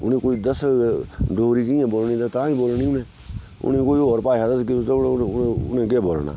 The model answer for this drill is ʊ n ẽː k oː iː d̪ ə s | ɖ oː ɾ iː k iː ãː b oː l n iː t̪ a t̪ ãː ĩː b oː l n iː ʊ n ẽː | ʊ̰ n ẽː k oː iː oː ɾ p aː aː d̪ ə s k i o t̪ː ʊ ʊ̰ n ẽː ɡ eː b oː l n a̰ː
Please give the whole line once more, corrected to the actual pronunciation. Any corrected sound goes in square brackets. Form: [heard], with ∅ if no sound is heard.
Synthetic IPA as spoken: ʊ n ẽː k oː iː d̪ ə s | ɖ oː ɾ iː k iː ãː b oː l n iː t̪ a t̪ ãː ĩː b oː l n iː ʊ n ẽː | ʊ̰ n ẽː k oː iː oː ɾ p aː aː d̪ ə s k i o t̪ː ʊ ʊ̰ n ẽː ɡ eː b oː l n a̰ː